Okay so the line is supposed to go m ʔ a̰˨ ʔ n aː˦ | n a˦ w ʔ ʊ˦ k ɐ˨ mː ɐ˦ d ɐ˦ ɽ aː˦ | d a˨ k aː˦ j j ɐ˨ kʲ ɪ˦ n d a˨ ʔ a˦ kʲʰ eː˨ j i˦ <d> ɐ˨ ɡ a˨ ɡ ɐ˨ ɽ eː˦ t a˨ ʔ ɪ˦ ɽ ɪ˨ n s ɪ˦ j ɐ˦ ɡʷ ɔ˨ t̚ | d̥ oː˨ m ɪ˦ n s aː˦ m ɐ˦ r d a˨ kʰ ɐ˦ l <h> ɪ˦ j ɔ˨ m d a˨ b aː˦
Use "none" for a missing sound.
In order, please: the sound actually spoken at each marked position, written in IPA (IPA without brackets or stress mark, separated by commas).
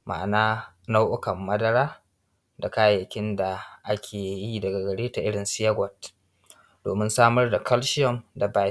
d, ʃ